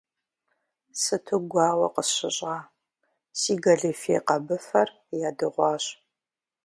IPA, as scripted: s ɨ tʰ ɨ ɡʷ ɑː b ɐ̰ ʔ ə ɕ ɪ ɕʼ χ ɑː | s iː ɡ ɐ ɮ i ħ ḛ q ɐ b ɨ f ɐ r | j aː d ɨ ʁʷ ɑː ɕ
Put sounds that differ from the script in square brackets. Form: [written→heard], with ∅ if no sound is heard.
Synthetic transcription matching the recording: s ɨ tʰ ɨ ɡʷ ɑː [b→w] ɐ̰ [ʔ→q] ə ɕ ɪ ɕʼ [χ→ʁ] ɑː | s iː ɡ ɐ ɮ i [ħ→f] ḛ q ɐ b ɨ f ɐ r | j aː d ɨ ʁʷ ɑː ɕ